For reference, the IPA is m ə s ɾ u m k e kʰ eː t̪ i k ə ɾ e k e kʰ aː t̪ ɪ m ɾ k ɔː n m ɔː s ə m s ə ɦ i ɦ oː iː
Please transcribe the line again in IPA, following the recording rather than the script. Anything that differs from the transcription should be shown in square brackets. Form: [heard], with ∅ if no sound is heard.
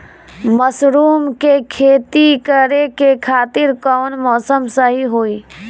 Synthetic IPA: m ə s ɾ [uː] m k e kʰ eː t̪ i k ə ɾ e k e kʰ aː t̪ ɪ [∅] ɾ k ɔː n m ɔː s ə m s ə ɦ i ɦ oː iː